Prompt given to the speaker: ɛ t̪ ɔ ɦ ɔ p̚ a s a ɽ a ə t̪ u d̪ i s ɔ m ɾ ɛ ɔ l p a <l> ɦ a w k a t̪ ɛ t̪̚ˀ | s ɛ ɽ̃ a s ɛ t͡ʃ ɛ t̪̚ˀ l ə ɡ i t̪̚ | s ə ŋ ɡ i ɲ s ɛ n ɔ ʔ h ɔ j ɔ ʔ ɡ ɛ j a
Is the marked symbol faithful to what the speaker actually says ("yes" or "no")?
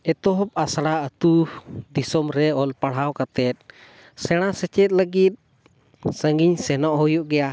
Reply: no